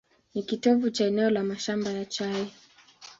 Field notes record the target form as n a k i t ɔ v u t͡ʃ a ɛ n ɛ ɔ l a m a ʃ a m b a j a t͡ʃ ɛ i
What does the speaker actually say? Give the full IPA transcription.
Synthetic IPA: n i k i t ɔ v u t͡ʃ a ɛ n ɛ ɔ l a m a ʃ a m b a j a t͡ʃ a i

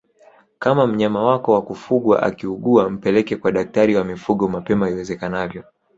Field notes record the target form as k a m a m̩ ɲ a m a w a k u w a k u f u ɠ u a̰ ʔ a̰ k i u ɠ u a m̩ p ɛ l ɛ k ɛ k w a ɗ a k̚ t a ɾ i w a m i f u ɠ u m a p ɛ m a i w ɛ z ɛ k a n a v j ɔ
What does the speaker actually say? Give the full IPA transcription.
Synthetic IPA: k a m a m̩ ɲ a m a w a k ɔ w a k u f u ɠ w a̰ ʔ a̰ k i u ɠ u a m̩ p ɛ l ɛ k ɛ k w a ɗ a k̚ t a ɾ i w a m i f u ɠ ɔ m a p ɛ m a i w ɛ z ɛ k a n a v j ɔ

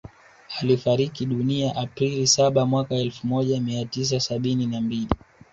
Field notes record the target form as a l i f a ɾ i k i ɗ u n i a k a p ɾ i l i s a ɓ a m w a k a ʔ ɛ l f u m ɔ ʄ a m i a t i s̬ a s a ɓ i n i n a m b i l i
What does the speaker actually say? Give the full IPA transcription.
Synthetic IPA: a l i f a ɾ i k i ɗ u n i a ʔ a p ɾ i l i s a ɓ a m w a k a ɛ l f u m ɔ ʄ a m i a t i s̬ a s a ɓ i n i n a m b i l i

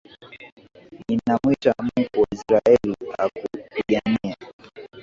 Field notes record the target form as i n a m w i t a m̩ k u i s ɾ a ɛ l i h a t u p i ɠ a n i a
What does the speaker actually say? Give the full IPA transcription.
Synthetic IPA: i n a m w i t a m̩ k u i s ɾ a ɛ l i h a k u p i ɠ a n i a

